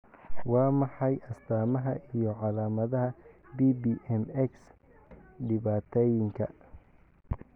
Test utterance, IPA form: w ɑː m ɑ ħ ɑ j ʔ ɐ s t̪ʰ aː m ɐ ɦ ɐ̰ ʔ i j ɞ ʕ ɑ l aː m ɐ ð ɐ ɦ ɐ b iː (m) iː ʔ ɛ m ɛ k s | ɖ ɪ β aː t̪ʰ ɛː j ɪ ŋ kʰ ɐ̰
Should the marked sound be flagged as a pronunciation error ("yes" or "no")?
yes